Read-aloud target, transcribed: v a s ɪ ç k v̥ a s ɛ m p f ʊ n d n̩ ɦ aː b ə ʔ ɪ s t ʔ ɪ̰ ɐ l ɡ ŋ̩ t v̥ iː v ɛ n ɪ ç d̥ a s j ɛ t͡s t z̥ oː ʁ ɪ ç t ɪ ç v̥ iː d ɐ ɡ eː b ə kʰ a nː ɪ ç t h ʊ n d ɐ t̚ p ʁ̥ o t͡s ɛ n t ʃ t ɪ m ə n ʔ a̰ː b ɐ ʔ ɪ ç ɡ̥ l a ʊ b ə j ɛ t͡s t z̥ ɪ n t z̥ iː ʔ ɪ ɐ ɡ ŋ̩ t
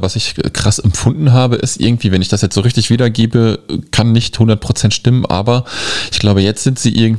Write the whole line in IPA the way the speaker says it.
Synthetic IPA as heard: v a s ɪ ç k ʁ̥ a s ɛ m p f ʊ n d n̩ ɦ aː b ə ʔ ɪ s t ʔ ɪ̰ ɐ ɡ ŋ̩ t v̥ iː v ɛ n ɪ ç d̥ a s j ɛ t͡s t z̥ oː ʁ ɪ ç t ɪ ç v̥ iː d ɐ ɡ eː b ə kʰ a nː ɪ ç t h ʊ n d ɐ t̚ p ʁ̥ o t͡s ɛ n t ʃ t ɪ m ə n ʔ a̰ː b ɐ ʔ ɪ ç ɡ̥ l a ʊ b ə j ɛ t͡s t z̥ ɪ n t z̥ iː ʔ ɪ ɐ ɡ ŋ̩ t